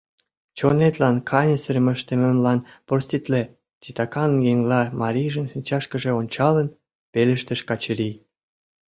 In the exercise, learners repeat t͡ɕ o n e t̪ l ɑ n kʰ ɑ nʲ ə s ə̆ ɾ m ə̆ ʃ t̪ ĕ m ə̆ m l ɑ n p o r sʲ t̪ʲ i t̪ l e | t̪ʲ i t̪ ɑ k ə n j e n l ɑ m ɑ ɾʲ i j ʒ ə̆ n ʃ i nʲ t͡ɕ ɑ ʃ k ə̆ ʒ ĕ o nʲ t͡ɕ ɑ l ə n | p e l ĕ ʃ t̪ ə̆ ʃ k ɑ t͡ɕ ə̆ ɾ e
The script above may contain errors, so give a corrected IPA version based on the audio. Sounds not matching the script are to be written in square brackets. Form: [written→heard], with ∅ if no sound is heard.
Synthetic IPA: t͡ɕ o n e t̪ l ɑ n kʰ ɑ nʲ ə s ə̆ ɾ m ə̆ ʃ t̪ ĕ m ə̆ m l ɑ n p o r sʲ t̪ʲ i t̪ l e | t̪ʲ i t̪ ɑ k [ə→ɑ] n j e [n→ŋ] l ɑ m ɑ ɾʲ i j ʒ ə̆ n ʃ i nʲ t͡ɕ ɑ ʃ k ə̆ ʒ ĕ o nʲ t͡ɕ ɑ l ə n | p e l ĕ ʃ t̪ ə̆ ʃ k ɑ t͡ɕ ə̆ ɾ [e→i]